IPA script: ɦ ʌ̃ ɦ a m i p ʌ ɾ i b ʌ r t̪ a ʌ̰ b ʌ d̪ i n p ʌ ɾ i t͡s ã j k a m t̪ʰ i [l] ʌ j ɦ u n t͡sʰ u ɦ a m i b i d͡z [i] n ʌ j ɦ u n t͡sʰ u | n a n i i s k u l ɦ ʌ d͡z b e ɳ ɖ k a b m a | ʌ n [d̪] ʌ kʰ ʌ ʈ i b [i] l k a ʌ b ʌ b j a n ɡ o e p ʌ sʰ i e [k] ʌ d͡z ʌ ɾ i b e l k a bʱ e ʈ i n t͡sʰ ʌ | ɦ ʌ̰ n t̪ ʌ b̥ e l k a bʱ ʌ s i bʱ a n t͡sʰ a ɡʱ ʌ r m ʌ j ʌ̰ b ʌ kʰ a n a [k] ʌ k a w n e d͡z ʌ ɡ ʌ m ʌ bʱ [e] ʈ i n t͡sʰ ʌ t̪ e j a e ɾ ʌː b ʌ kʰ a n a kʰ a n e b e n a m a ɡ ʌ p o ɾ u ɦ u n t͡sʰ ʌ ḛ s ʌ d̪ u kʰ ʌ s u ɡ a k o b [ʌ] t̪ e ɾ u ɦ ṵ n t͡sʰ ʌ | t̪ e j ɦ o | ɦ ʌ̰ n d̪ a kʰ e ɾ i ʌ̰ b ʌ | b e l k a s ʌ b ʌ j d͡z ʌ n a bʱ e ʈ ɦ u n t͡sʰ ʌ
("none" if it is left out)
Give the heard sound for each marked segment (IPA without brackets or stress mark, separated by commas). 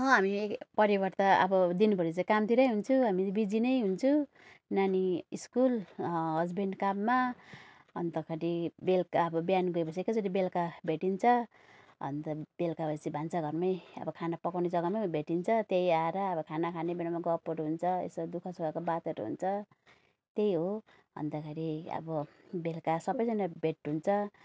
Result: ɾ, i, t̪, e, k, p, e, a